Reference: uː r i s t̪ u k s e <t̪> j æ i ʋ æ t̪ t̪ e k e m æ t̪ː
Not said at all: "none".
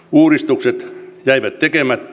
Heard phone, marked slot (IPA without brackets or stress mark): t̪